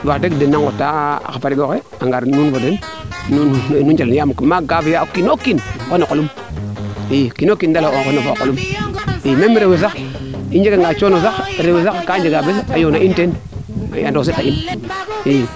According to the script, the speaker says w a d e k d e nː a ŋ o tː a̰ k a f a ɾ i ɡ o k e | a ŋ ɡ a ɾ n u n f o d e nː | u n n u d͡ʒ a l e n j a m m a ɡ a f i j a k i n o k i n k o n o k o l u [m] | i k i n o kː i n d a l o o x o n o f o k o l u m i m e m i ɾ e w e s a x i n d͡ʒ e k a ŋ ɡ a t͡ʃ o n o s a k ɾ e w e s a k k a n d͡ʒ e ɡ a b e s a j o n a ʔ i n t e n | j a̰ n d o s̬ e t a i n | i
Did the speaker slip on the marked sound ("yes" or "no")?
no